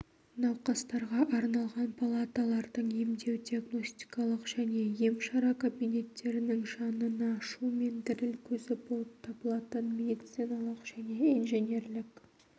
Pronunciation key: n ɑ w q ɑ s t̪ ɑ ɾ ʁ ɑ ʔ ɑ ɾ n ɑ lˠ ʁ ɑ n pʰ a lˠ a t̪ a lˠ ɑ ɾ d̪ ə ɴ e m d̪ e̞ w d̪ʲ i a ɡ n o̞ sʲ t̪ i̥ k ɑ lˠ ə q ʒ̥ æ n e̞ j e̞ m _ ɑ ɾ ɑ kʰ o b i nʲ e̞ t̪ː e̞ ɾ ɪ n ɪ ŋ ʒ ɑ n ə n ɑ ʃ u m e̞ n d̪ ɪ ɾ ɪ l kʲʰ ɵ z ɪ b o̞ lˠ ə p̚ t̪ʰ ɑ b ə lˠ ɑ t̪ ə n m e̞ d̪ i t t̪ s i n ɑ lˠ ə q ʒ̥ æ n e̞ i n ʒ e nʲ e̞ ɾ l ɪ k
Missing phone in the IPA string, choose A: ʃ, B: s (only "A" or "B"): A